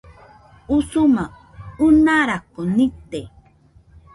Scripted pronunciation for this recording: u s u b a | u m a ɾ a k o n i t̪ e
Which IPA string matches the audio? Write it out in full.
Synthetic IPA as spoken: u s u m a | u n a ɾ a k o n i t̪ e

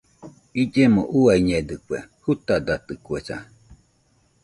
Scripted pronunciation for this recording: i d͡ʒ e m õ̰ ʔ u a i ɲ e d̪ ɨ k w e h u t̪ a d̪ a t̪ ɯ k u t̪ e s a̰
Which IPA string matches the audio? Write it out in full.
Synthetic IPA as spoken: i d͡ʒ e m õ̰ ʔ u a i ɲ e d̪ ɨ k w e h u t̪ a d̪ a t̪ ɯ k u e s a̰

